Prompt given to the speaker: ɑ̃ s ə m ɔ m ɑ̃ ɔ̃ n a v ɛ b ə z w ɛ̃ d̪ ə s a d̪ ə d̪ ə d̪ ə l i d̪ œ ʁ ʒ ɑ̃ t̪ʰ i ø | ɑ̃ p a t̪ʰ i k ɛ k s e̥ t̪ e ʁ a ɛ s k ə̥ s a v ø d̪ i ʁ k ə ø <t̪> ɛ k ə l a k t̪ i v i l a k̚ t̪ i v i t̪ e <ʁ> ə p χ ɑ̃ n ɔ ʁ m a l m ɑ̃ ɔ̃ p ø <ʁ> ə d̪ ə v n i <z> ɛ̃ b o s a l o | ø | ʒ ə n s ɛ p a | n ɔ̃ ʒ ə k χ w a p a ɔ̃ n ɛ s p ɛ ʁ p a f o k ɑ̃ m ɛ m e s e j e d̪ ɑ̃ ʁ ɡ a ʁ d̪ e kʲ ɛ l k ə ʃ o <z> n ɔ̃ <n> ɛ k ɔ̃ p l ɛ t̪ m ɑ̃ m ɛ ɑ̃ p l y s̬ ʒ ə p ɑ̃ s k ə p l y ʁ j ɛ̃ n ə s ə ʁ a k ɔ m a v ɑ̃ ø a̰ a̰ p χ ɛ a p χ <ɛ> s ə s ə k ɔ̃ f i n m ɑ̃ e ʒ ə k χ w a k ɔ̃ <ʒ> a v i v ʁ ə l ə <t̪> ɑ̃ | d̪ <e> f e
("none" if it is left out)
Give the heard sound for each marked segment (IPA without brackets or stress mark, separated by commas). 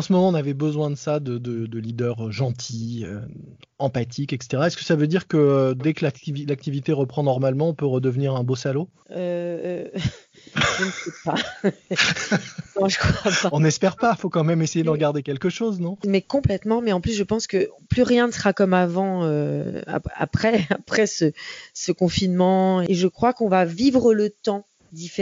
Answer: d̪, ʁ, ʁ, ʁ, z, m, ɛ, v, t̪, i